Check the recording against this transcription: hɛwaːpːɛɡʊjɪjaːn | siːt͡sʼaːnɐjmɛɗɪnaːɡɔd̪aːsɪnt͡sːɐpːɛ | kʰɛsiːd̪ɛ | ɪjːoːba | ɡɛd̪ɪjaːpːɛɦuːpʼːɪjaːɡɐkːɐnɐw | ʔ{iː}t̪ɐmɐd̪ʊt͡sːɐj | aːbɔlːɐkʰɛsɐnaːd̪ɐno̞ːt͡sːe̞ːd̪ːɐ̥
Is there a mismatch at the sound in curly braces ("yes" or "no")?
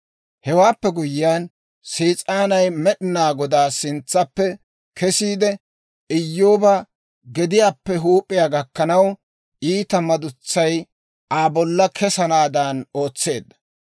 no